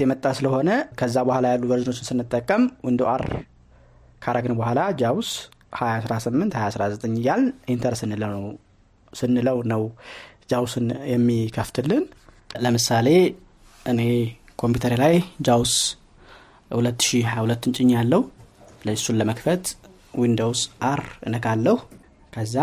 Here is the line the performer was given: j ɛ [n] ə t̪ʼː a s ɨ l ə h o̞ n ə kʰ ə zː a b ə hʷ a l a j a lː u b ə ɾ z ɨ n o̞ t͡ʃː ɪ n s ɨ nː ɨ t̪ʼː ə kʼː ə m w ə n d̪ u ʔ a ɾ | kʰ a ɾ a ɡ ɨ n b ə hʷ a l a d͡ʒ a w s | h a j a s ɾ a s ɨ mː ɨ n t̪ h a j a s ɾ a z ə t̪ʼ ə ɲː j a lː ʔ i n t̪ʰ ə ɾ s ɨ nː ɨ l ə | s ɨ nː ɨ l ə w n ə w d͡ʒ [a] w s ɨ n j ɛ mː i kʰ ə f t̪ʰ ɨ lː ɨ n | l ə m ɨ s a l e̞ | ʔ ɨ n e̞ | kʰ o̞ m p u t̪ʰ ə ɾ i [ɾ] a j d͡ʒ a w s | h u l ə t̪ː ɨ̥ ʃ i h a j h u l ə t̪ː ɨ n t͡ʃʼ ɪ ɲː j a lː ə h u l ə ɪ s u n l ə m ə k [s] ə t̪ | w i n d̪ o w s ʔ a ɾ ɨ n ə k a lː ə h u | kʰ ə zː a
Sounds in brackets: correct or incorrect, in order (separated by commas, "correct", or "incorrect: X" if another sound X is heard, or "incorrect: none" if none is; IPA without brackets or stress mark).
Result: incorrect: m, correct, incorrect: l, incorrect: f